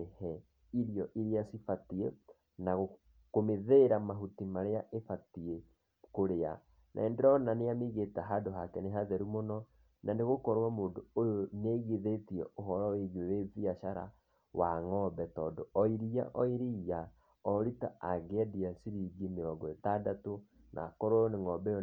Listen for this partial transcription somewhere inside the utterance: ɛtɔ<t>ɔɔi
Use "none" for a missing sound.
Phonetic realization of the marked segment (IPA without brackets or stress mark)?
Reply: d